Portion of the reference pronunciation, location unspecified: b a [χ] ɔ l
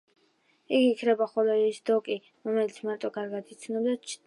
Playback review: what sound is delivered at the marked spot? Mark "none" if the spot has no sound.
χ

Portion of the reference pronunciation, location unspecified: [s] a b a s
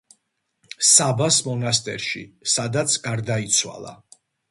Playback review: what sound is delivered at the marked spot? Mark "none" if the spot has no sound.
s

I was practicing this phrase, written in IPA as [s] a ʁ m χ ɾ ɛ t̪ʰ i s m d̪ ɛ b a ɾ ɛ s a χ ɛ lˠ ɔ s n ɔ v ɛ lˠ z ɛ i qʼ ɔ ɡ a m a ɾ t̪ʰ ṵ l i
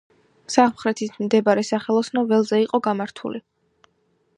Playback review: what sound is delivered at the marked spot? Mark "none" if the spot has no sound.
s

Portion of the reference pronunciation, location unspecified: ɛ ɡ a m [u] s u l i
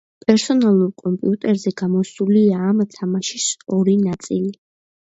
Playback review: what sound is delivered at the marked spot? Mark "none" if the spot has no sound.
ɔ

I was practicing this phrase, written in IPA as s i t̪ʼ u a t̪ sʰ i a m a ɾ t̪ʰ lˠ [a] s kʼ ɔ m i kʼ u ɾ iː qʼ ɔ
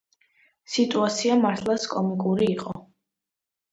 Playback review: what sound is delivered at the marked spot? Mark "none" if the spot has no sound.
a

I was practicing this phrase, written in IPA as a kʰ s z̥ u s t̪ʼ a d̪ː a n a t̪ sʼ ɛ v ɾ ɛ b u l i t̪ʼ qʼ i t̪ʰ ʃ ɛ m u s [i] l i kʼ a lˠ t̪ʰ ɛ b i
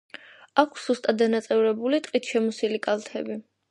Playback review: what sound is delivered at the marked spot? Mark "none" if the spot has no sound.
i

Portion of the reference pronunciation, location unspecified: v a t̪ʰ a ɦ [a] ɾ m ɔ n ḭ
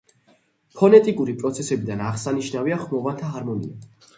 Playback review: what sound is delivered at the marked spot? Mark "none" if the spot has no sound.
a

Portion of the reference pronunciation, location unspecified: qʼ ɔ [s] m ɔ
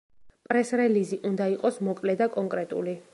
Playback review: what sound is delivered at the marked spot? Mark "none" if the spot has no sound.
s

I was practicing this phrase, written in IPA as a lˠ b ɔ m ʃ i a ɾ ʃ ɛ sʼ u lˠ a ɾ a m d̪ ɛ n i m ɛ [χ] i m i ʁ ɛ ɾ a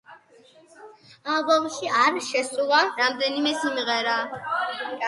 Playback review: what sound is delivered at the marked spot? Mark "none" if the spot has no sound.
s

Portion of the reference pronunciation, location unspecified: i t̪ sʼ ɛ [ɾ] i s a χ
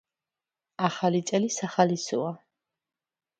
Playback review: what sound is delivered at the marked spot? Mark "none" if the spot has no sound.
l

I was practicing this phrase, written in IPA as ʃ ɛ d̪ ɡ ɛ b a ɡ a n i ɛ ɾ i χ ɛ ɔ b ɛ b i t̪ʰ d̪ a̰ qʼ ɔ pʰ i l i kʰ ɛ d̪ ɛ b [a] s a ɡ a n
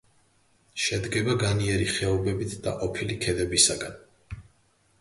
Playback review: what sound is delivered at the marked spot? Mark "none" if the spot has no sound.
i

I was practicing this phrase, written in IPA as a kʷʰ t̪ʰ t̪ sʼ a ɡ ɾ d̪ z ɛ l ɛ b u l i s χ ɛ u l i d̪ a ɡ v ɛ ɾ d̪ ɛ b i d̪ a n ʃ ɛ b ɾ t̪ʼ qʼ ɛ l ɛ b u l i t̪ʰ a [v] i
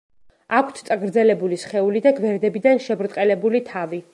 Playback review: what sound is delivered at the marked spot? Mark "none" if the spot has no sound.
v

